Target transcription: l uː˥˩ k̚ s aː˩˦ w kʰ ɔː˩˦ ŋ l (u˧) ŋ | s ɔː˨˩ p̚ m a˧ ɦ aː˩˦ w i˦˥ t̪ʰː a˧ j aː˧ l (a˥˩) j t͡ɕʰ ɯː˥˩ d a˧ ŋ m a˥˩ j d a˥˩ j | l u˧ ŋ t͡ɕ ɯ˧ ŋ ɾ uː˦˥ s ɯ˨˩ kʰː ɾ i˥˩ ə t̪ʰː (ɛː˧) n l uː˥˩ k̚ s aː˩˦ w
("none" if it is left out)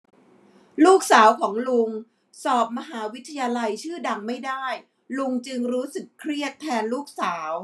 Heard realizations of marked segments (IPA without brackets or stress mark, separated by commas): u˧, a˧, ɛː˧